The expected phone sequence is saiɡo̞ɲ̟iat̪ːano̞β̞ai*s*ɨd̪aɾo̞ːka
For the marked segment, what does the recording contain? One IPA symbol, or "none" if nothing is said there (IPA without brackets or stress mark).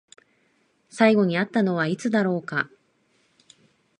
t͡s